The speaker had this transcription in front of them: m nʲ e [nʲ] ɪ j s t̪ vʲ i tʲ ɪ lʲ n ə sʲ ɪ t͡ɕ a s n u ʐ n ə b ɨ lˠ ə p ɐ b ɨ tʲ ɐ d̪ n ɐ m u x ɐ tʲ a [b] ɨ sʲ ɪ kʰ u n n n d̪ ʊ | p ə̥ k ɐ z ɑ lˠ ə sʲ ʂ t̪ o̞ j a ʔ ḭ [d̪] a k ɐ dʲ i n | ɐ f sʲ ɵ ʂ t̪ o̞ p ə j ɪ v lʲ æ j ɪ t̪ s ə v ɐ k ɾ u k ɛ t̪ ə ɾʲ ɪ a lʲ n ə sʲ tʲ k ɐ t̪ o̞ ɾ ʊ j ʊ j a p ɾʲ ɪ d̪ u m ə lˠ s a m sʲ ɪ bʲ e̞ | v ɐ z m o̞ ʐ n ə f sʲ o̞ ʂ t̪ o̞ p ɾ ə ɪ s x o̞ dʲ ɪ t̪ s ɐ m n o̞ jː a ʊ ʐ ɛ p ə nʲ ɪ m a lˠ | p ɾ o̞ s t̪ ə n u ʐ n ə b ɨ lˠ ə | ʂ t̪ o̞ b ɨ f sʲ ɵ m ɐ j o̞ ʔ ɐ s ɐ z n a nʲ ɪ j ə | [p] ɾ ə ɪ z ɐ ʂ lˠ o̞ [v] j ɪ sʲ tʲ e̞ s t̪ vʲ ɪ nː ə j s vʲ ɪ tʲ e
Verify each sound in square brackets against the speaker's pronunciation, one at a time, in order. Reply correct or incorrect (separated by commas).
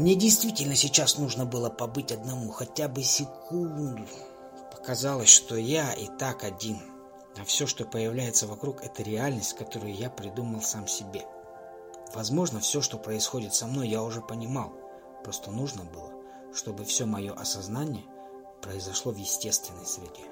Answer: incorrect, correct, incorrect, correct, correct